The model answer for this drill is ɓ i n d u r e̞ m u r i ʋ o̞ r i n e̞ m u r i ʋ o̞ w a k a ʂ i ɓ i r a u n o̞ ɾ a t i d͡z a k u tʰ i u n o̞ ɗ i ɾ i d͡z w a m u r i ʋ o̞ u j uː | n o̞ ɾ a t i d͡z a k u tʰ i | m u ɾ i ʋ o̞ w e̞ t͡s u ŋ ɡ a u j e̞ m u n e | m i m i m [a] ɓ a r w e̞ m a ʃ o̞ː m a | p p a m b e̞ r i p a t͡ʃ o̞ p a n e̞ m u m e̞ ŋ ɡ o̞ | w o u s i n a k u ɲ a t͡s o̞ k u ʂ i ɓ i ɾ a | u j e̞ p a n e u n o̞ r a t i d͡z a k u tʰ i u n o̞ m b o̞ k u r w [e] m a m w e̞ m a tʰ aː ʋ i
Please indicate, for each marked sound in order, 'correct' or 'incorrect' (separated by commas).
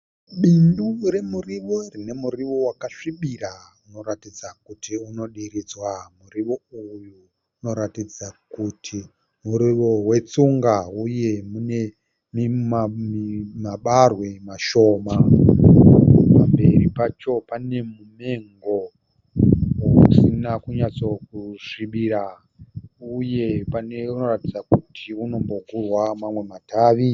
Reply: correct, incorrect